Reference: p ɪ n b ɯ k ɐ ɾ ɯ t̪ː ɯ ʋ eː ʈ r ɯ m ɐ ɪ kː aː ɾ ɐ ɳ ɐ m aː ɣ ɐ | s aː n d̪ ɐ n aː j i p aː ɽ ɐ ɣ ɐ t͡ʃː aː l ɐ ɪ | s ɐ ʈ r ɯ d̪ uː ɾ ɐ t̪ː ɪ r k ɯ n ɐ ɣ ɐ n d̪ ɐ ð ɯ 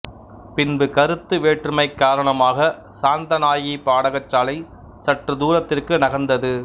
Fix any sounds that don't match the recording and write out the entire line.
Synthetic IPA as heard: p ɪ n b ɯ k ɐ ɾ ɯ t̪ː ɯ ʋ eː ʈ r ɯ m ɐ ɪ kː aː ɾ ɐ ɳ ɐ m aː ɣ ɐ | s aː n d̪ ɐ n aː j i p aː ɽ ɐ ɣ ɐ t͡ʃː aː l ɐ ɪ | s ɐ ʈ r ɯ d̪ uː ɾ ɐ t̪ː ɪ r k ɯ n ɐ ɣ ɐ n d̪ ɐ ð ɯ

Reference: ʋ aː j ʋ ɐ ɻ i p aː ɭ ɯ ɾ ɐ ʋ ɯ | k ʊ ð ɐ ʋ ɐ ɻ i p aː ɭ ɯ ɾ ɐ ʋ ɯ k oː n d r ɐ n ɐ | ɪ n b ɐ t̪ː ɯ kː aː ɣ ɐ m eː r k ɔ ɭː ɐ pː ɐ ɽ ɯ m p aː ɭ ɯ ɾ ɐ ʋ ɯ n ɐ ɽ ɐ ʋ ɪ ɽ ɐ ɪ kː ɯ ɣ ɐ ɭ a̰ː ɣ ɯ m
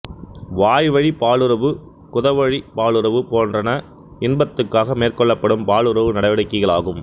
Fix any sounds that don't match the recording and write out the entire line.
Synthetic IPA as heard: ʋ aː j ʋ ɐ ɻ i p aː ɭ ɯ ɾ ɐ ʋ ɯ | k ʊ ð ɐ ʋ ɐ ɻ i p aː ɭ ɯ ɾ ɐ ʋ ɯ p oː n d r ɐ n ɐ | ɪ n b ɐ t̪ː ɯ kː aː ɣ ɐ m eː r k ɔ ɭː ɐ pː ɐ ɽ ɯ m p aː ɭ ɯ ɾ ɐ ʋ ɯ n ɐ ɽ ɐ ʋ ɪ ɽ ɐ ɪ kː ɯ ɣ ɐ ɭ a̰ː ɣ ɯ m

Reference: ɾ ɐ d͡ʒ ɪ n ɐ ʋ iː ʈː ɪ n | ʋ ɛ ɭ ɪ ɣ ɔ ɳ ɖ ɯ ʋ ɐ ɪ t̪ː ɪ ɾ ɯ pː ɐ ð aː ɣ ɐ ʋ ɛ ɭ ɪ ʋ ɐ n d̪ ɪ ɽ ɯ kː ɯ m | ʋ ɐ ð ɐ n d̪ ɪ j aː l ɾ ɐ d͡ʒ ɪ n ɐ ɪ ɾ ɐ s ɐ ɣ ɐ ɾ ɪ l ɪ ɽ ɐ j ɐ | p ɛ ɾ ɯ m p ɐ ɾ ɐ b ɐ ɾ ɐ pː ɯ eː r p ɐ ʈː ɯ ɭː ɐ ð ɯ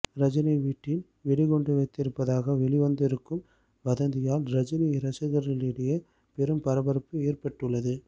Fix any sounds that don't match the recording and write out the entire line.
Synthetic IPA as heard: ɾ ɐ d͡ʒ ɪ n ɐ ʋ iː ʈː ɪ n | ʋ ɛ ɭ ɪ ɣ ɔ ɳ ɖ ɯ ʋ ɐ ɪ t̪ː ɪ ɾ ɯ pː ɐ ð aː ɣ ɐ ʋ ɛ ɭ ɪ ʋ ɐ n d̪ ɪ ɾ ɯ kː ɯ m | ʋ ɐ ð ɐ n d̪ ɪ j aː l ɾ ɐ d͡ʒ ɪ n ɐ ɪ ɾ ɐ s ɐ ɣ ɐ ɾ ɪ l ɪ ɽ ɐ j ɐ | p ɛ ɾ ɯ m p ɐ ɾ ɐ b ɐ ɾ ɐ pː ɯ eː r p ɐ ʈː ɯ ɭː ɐ ð ɯ

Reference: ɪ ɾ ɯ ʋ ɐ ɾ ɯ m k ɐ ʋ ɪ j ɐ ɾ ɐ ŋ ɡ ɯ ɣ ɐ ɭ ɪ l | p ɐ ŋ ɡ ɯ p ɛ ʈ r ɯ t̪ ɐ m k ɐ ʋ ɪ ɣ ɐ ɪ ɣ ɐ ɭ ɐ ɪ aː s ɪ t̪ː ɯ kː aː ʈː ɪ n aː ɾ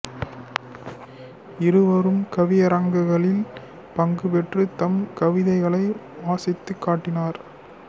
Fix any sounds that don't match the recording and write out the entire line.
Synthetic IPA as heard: ɪ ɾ ɯ ʋ ɐ ɾ ɯ m k ɐ ʋ ɪ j ɐ ɾ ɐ ŋ ɡ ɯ ɣ ɐ ɭ ɪ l | p ɐ ŋ ɡ ɯ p ɛ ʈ r ɯ t̪ ɐ m k ɐ ʋ ɪ ð ɐ ɪ ɣ ɐ ɭ ɐ ɪ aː s ɪ t̪ː ɯ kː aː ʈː ɪ n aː ɾ

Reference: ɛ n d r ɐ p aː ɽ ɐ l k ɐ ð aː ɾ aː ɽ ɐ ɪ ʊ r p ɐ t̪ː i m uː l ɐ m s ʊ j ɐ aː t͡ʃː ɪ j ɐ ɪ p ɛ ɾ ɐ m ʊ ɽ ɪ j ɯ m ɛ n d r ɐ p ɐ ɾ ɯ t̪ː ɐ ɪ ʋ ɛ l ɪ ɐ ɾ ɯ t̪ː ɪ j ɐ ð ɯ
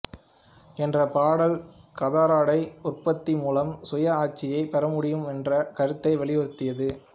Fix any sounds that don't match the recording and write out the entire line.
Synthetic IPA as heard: ɛ n d r ɐ p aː ɽ ɐ l k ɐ ð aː ɾ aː ɽ ɐ ɪ ʊ r p ɐ t̪ː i m uː l ɐ m s ʊ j ɐ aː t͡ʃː ɪ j ɐ ɪ p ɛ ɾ ɐ m ʊ ɽ ɪ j ɯ m ɛ n d r ɐ k ɐ ɾ ɯ t̪ː ɐ ɪ ʋ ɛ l ɪ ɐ ɾ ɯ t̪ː ɪ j ɐ ð ɯ

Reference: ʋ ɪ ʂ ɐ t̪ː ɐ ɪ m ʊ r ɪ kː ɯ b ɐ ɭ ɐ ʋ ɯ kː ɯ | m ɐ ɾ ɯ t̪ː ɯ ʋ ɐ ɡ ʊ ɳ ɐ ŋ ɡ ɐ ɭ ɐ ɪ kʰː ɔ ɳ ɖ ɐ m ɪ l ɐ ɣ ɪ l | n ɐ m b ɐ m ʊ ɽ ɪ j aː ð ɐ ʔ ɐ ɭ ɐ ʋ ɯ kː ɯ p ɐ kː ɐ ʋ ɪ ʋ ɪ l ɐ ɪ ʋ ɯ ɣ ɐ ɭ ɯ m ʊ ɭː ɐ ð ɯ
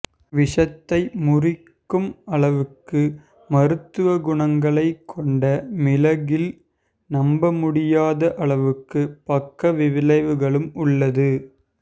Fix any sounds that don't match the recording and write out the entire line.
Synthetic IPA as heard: ʋ ɪ ʂ ɐ t̪ː ɐ ɪ m ʊ r ɪ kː ɯ m ɐ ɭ ɐ ʋ ɯ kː ɯ | m ɐ ɾ ɯ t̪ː ɯ ʋ ɐ ɡ ʊ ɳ ɐ ŋ ɡ ɐ ɭ ɐ ɪ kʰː ɔ ɳ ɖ ɐ m ɪ l ɐ ɣ ɪ l | n ɐ m b ɐ m ʊ ɽ ɪ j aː ð ɐ ʔ ɐ ɭ ɐ ʋ ɯ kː ɯ p ɐ kː ɐ ʋ ɪ ʋ ɪ l ɐ ɪ ʋ ɯ ɣ ɐ ɭ ɯ m ʊ ɭː ɐ ð ɯ

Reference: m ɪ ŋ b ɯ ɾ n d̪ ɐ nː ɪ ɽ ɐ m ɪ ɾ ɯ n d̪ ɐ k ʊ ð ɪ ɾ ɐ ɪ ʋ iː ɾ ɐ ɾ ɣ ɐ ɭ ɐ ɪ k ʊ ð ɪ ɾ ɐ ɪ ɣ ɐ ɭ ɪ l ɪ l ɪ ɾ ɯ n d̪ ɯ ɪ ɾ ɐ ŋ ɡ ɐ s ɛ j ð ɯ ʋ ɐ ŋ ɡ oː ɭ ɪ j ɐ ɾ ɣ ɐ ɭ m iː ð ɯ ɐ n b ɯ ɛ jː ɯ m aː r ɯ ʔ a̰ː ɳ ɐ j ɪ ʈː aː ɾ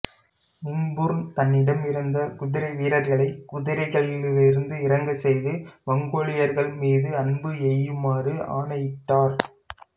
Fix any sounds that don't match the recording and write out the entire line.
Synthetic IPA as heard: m ɪ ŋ b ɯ ɾ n t̪ ɐ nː ɪ ɽ ɐ m ɪ ɾ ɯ n d̪ ɐ k ʊ ð ɪ ɾ ɐ ɪ ʋ iː ɾ ɐ ɾ ɣ ɐ ɭ ɐ ɪ k ʊ ð ɪ ɾ ɐ ɪ ɣ ɐ ɭ ɪ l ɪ l ɪ ɾ ɯ n d̪ ɯ ɪ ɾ ɐ ŋ ɡ ɐ s ɛ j ð ɯ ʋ ɐ ŋ ɡ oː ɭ ɪ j ɐ ɾ ɣ ɐ ɭ m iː ð ɯ ɐ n b ɯ ɛ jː ɯ m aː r ɯ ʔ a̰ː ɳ ɐ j ɪ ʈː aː ɾ

